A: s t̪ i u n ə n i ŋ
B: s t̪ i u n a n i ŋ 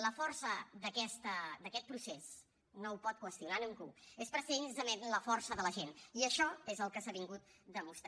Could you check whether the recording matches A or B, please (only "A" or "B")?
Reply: B